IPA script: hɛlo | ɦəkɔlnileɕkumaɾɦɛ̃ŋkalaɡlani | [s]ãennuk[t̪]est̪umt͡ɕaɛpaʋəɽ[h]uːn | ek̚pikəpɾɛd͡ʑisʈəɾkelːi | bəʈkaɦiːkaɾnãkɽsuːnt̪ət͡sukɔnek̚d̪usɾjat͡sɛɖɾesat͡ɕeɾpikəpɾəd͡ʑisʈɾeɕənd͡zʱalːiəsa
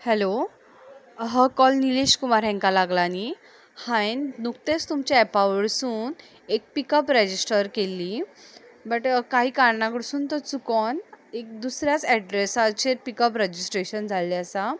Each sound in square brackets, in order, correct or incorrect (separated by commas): incorrect, correct, incorrect